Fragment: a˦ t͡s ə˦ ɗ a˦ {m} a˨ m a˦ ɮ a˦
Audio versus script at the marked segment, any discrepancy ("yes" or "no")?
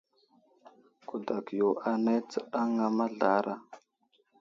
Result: yes